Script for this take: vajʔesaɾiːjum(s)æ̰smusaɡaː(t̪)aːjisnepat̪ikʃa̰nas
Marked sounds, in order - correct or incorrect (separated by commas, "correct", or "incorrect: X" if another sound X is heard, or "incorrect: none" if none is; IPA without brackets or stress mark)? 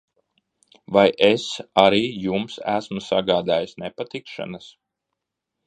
correct, incorrect: d̪